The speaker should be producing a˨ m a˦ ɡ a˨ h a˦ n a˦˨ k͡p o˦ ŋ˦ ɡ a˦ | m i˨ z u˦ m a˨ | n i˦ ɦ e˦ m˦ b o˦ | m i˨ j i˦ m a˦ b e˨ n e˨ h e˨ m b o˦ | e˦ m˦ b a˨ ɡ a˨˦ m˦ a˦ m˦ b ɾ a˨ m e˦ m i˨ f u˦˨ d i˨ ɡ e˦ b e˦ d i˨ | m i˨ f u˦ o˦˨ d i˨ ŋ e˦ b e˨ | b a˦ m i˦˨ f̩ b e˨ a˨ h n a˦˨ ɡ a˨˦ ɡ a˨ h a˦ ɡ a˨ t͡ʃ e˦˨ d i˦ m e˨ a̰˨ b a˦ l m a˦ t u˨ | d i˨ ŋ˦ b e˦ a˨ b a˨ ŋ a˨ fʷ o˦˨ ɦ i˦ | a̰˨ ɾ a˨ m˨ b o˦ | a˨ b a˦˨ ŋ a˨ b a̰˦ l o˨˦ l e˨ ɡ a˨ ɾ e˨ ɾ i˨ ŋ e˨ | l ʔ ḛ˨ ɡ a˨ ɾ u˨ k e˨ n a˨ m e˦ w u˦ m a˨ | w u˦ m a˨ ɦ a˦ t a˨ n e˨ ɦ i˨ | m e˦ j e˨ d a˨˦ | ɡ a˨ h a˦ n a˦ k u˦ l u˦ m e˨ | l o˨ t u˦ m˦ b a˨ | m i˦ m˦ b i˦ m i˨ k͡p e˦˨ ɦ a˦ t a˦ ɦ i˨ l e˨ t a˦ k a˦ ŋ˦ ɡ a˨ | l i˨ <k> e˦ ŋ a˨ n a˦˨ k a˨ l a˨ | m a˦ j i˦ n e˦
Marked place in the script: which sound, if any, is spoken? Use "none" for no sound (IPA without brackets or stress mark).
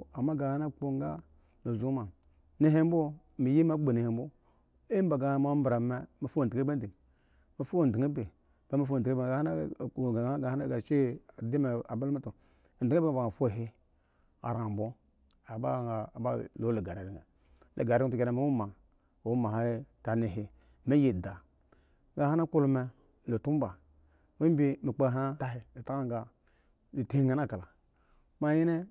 t